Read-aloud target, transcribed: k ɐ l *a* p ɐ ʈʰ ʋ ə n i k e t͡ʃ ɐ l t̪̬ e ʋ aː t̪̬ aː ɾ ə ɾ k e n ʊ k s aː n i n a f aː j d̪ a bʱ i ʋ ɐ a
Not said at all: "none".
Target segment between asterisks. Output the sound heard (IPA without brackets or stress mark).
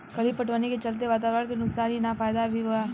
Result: i